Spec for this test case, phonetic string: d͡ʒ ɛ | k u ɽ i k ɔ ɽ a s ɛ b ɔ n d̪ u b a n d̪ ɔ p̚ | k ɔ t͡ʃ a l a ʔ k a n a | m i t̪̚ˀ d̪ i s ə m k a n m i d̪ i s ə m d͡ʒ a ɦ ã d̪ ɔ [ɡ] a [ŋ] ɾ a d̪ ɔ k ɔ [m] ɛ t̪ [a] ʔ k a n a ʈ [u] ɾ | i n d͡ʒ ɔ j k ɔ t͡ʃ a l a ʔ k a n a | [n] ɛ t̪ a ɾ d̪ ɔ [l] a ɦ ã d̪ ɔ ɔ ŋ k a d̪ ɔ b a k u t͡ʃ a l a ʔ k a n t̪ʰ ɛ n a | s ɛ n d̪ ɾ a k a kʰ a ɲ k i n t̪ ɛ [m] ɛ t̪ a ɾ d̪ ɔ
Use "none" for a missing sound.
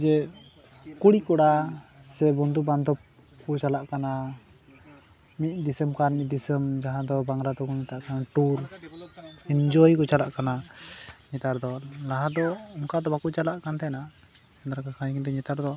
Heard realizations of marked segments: b, ŋ, ɲ, a, u, ɲ, l, ɲ

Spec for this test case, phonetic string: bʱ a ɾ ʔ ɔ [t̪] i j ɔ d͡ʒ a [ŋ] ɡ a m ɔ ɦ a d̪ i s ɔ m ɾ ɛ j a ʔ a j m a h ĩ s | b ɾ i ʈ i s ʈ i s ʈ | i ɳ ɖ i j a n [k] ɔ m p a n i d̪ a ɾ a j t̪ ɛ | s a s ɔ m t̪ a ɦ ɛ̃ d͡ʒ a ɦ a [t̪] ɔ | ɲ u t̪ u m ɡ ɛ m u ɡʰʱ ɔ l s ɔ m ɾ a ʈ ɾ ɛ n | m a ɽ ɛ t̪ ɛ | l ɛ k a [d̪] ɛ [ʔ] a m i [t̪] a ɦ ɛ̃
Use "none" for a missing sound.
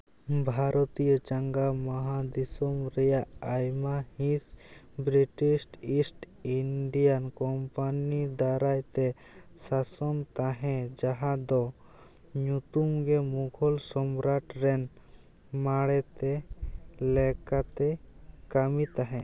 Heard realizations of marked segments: t̪, ŋ, k, d̪, t̪, k, t̪

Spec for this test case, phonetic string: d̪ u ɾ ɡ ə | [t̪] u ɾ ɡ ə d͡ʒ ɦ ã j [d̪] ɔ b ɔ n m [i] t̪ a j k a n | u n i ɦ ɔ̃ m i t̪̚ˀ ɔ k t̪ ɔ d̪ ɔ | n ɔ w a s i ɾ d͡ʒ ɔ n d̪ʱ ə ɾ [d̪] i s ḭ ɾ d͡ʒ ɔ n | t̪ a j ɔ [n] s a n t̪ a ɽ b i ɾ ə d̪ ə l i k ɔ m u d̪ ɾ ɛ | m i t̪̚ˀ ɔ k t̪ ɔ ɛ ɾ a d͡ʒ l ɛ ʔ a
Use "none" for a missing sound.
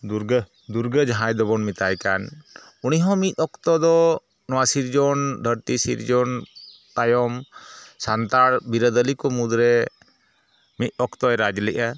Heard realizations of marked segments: d̪, d̪, i, t̪, m

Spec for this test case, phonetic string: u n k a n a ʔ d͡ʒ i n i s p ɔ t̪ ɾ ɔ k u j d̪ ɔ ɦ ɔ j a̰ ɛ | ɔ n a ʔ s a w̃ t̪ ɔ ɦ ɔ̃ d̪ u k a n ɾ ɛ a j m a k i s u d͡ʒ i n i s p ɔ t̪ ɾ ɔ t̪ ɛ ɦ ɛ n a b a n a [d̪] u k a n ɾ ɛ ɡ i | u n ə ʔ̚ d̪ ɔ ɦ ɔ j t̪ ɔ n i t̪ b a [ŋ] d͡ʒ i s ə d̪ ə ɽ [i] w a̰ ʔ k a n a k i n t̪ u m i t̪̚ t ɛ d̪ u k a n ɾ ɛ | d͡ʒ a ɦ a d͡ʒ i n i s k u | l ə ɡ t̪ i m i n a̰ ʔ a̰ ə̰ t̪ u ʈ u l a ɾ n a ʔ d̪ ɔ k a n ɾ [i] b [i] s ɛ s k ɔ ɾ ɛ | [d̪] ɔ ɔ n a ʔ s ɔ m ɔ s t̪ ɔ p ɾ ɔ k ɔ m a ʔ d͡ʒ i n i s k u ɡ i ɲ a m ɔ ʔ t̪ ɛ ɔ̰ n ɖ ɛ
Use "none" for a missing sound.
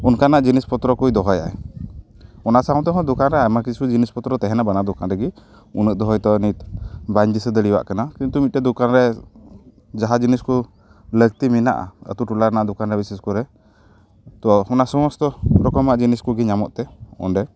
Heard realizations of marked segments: d̪, ɲ, i, ɛ, i, t̪

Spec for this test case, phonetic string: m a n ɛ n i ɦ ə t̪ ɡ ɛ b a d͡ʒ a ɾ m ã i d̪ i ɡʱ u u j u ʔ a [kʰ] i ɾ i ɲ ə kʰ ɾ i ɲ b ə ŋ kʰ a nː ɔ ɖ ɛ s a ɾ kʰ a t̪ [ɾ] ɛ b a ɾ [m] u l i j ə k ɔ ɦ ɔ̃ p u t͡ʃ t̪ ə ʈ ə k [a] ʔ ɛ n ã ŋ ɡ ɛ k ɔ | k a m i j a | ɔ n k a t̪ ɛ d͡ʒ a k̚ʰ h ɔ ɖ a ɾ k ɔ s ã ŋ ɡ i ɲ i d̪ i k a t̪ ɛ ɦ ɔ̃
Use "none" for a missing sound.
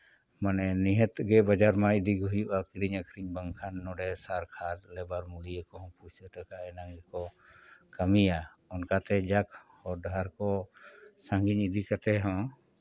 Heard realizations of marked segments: k, l, m, a

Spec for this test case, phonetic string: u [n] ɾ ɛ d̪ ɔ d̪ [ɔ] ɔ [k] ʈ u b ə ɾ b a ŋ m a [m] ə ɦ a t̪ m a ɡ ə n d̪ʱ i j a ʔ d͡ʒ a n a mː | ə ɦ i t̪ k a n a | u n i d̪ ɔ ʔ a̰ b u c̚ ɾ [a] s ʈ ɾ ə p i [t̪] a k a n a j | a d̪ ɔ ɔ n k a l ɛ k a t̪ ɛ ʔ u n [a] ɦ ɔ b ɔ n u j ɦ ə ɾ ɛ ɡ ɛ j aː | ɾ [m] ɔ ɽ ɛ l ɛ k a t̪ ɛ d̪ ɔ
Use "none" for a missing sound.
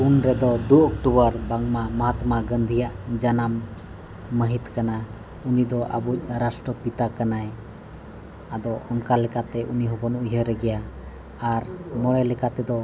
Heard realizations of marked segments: n, u, k, m, a, t̪, i, m

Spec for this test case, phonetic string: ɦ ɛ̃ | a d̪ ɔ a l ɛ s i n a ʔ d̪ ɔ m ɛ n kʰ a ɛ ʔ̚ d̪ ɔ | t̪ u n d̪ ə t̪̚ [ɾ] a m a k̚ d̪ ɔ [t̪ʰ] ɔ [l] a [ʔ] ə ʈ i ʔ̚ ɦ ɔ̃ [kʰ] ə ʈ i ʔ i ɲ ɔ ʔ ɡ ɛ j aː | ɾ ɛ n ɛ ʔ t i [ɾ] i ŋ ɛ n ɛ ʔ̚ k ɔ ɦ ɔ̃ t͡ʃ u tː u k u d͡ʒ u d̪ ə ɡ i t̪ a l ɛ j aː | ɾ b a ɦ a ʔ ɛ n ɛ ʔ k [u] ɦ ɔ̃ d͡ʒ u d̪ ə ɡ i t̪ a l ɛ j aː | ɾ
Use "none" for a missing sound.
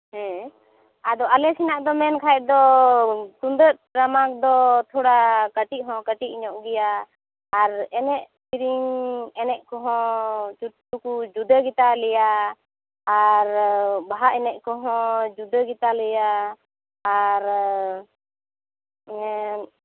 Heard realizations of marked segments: ɾ, t̪ʰ, ɽ, k, k, ɾ, ɔ

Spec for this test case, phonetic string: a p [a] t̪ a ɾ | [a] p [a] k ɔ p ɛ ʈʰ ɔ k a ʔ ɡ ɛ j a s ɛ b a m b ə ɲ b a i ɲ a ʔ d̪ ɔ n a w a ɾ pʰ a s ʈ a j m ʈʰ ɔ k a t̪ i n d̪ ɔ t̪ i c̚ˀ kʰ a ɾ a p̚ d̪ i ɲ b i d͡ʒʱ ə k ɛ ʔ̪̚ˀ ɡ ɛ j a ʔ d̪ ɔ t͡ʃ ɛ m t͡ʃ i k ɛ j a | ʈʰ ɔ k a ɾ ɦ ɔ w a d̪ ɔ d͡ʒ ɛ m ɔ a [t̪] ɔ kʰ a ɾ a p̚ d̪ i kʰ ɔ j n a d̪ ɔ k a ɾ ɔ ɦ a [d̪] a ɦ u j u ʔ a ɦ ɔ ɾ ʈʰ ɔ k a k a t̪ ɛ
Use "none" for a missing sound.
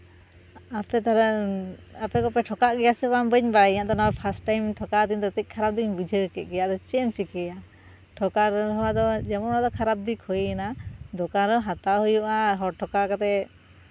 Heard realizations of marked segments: ɛ, a, ɛ, d̪, t̪

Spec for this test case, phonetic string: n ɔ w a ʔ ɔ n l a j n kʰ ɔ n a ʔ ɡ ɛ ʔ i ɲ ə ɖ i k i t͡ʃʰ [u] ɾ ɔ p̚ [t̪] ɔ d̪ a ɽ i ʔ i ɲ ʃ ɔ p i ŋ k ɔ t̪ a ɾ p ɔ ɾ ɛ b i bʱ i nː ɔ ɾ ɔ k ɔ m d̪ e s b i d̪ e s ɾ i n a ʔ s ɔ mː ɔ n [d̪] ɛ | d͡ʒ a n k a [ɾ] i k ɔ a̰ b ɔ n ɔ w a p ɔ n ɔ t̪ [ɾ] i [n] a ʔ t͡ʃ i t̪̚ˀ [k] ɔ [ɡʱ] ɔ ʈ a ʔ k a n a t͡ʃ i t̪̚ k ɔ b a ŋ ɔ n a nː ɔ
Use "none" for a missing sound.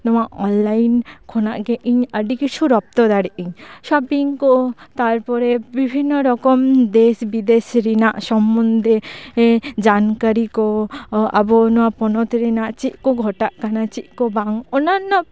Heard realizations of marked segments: u, t̪, d̪, ɾ, ɾ, n, k, ɡʱ

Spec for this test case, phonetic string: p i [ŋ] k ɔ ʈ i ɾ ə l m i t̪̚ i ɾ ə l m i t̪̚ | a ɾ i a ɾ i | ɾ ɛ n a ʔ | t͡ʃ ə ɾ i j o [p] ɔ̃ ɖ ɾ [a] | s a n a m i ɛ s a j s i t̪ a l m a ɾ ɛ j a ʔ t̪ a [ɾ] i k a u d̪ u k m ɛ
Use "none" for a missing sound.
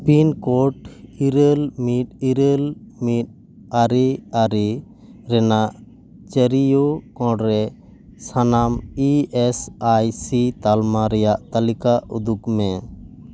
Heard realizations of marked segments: n, k, ɛ, l

